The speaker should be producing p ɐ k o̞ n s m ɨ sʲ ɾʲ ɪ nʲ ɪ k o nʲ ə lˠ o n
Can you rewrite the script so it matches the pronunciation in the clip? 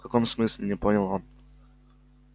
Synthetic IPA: k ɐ k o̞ m s m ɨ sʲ lʲ ɪ nʲ ɪ p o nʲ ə lˠ o n